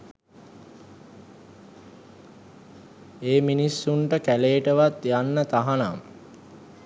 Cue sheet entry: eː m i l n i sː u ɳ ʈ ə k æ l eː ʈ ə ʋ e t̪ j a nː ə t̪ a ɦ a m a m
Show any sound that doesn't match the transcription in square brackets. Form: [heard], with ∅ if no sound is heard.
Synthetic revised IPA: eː m i [∅] n i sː u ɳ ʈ ə k æ l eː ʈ ə ʋ [a] t̪ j a nː ə t̪ a ɦ a [n] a m